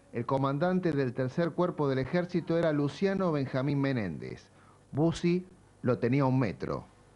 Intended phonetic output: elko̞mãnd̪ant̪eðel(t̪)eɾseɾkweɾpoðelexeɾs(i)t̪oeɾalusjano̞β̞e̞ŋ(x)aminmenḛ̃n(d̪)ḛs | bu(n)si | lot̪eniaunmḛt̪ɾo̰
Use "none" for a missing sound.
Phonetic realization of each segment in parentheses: t̪, i, x, d̪, none

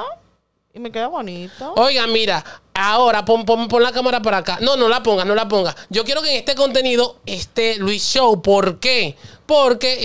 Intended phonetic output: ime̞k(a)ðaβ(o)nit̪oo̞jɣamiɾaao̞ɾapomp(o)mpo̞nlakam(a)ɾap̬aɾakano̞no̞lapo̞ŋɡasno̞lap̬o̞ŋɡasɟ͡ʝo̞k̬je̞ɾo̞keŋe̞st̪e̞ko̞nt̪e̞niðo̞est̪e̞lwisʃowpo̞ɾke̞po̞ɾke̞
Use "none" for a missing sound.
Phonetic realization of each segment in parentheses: e, o, o, a

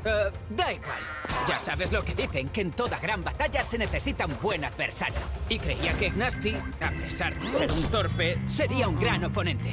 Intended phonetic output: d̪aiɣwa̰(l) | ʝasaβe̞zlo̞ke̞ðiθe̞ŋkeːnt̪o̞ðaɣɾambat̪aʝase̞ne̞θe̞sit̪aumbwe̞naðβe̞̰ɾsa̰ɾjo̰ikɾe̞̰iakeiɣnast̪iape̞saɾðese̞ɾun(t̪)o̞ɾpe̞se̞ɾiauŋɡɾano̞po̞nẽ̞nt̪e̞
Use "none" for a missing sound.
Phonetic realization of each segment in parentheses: l, t̪

